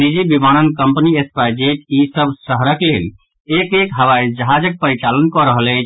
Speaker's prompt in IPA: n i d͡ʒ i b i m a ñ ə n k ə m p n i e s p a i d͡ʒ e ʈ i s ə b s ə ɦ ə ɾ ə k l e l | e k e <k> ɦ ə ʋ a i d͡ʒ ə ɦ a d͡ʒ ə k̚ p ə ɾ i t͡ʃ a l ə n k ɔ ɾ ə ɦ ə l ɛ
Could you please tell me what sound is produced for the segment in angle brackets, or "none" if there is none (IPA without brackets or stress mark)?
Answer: k